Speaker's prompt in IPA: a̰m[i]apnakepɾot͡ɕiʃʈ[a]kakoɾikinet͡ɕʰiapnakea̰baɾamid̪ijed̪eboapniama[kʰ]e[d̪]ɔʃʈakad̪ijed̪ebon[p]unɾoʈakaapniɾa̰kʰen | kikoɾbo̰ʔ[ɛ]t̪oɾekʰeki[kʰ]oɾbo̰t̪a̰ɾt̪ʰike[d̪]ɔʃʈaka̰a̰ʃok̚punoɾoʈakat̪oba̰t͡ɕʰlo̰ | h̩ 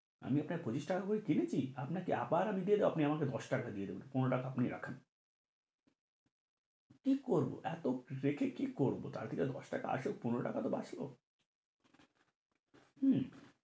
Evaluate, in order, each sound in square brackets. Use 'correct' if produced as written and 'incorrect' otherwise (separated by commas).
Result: correct, correct, incorrect, correct, correct, correct, incorrect, correct